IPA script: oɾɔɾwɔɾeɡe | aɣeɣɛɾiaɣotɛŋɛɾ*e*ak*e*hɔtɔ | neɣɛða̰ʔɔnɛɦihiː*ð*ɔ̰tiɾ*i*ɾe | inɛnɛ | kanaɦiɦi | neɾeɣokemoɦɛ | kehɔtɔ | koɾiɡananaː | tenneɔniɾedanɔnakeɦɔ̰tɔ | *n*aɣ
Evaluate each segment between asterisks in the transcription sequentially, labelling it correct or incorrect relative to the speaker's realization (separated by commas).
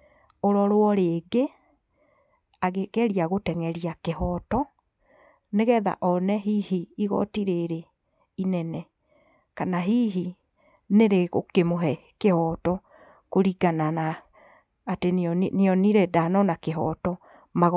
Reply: incorrect, correct, incorrect, incorrect, incorrect